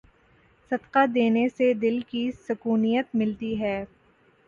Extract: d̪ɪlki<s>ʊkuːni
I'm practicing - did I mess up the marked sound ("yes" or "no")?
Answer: no